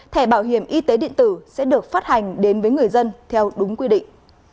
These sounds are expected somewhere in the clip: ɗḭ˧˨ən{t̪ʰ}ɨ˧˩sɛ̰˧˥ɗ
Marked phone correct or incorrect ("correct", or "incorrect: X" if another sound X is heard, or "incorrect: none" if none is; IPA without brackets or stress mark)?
incorrect: t̪